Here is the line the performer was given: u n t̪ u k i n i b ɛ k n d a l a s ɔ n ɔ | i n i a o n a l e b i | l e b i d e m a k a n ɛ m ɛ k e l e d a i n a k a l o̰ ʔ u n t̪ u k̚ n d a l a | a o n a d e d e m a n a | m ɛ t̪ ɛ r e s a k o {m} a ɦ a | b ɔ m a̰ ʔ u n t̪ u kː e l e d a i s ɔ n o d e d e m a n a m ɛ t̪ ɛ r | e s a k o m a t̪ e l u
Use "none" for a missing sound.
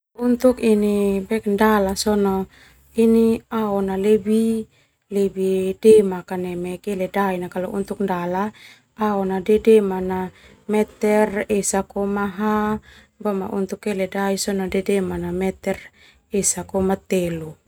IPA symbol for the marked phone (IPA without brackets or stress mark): m